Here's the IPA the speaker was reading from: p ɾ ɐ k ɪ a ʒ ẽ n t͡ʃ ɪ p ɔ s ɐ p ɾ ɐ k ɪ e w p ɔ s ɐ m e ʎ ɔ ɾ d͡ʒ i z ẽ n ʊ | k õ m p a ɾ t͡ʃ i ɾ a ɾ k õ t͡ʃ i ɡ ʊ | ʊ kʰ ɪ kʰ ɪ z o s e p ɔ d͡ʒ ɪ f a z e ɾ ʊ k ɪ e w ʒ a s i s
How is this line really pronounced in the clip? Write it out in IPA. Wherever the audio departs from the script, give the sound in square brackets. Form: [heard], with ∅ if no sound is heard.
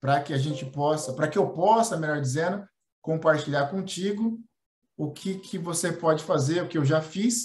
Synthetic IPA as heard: p ɾ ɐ k ɪ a ʒ ẽ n t͡ʃ ɪ p ɔ s ɐ p ɾ ɐ k ɪ e w p ɔ s ɐ m e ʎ ɔ ɾ d͡ʒ i z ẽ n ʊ | k õ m p a ɾ t͡ʃ i [ʎ] a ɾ k õ t͡ʃ i ɡ ʊ | ʊ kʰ ɪ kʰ ɪ [v] o s e p ɔ d͡ʒ ɪ f a z e ɾ ʊ k ɪ e w ʒ a [f] i s